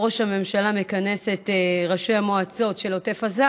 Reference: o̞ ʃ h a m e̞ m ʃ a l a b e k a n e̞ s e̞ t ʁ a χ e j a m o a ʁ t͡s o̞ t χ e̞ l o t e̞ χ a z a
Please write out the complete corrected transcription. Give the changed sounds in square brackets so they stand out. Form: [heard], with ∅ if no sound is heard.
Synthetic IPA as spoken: o̞ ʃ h a m e̞ m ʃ a l a [m] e k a n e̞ s e̞ t ʁ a [ʃ] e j a m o a [∅] t͡s o̞ t [ʃ] e̞ l o t e̞ [f] a z a